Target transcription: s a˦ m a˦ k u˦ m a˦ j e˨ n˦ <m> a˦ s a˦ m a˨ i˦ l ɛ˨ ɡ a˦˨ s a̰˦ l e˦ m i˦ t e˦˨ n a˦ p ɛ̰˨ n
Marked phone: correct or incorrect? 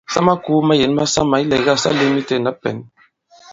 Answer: correct